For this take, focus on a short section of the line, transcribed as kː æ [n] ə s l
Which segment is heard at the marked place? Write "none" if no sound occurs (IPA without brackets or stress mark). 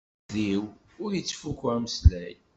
m